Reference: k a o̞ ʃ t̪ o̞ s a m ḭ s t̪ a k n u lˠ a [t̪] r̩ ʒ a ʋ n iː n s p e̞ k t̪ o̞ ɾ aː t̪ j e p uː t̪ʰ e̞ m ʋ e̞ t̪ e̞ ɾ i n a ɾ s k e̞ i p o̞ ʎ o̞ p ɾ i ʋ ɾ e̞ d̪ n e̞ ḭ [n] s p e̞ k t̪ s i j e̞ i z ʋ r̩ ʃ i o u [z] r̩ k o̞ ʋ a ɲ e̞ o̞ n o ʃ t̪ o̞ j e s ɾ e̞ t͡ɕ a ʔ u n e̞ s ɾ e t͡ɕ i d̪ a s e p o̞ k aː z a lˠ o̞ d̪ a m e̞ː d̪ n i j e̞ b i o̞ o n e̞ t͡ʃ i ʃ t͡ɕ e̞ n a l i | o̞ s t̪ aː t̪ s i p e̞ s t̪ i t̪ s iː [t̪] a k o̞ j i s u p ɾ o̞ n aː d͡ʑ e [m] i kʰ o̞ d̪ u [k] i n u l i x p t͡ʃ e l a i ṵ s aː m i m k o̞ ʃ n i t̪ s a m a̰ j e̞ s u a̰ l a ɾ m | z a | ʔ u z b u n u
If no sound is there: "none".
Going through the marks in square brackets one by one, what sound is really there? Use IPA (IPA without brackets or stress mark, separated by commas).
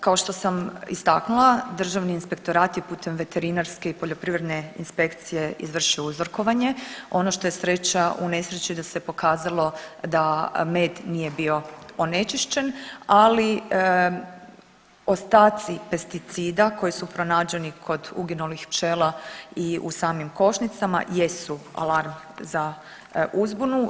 d̪, n, z, d̪, n, ɡ